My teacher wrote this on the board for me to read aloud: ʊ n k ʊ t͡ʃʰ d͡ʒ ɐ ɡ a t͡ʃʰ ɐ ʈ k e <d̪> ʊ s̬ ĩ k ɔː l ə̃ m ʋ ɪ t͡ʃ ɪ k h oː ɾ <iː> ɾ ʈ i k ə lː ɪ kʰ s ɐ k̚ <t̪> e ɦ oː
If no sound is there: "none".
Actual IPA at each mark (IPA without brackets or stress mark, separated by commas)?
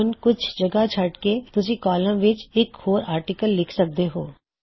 t̪, aː, d̪